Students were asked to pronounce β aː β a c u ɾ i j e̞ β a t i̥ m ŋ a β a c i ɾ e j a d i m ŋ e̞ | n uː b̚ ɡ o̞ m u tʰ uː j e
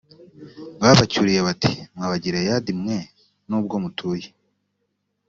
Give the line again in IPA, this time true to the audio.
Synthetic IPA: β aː β a c u ɾ i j e̞ β a t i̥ m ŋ a β a ɟ i ɾ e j a d i m ŋ e̞ | n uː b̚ ɡ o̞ m u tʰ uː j e